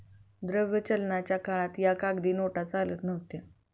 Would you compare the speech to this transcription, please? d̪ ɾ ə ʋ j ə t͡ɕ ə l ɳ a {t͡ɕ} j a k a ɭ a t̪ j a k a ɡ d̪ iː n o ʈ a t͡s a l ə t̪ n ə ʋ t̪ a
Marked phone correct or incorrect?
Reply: correct